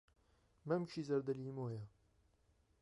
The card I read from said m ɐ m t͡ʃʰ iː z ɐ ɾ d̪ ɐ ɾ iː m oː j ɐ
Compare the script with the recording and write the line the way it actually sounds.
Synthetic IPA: m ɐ m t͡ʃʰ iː z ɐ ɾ d̪ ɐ l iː m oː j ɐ